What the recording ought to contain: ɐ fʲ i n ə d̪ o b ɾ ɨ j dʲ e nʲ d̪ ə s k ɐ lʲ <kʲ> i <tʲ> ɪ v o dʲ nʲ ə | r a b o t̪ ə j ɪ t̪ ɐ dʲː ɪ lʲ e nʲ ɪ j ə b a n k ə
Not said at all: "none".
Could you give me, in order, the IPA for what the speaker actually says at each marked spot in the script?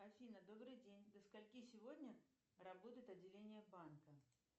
kʲ, sʲ

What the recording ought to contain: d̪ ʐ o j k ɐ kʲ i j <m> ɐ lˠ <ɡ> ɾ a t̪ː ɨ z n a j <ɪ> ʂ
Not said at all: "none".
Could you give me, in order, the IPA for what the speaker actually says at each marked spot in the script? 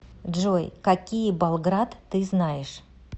b, ɡ, ɪ

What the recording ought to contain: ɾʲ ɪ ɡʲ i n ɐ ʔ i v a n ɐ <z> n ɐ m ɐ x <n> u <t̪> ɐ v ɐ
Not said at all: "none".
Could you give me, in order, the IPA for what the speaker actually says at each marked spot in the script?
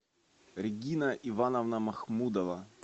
v, m, d̪

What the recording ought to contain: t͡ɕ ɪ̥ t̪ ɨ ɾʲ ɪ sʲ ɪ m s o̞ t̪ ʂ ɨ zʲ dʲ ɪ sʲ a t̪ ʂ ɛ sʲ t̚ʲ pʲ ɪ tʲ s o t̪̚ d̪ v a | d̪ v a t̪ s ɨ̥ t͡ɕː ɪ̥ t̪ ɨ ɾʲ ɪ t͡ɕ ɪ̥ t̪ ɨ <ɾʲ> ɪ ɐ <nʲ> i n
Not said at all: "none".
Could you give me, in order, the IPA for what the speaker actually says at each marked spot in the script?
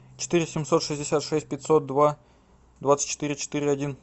ɾʲ, dʲ

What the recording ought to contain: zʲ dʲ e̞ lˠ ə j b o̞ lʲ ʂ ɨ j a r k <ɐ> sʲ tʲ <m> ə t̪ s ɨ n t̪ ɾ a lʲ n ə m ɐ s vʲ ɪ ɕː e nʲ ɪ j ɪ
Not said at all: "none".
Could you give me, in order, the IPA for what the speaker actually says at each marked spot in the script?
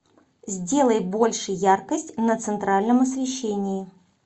ə, n

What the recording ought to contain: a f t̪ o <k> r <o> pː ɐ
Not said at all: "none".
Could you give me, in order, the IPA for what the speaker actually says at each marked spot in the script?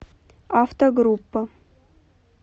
ɡ, u

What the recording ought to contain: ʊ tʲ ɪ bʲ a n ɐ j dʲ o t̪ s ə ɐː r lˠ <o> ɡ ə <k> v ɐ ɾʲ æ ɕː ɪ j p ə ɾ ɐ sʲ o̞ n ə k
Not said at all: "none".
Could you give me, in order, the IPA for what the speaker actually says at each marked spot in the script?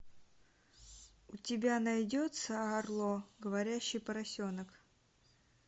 o, none

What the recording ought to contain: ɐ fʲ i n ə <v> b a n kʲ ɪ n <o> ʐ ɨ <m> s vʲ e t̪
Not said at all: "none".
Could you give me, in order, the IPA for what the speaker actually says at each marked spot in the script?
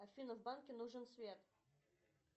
v, u, n

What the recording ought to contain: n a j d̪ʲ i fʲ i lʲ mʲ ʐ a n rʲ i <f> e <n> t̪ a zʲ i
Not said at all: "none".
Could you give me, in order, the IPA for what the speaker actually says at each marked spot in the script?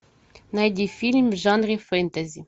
f, n

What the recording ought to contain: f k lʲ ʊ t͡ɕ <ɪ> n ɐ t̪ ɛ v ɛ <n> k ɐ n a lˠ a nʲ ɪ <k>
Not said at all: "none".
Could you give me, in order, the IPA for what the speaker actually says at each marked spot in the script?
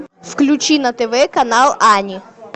i, none, none

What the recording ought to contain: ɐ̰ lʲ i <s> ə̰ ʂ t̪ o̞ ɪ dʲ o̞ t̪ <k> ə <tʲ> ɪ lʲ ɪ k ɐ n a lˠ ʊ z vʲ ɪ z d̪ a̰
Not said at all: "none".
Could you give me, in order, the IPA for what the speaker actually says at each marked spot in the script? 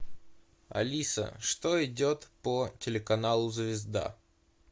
s, p, tʲ

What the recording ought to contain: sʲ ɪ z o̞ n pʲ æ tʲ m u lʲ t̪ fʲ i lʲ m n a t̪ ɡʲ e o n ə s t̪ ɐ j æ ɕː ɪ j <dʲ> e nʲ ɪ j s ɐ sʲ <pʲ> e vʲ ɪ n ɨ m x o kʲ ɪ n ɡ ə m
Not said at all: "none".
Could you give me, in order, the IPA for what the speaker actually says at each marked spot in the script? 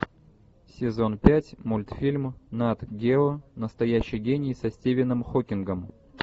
ɡʲ, tʲ

